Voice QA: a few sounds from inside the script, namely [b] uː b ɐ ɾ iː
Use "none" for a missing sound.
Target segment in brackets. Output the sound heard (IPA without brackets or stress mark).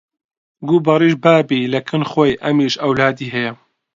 ɡ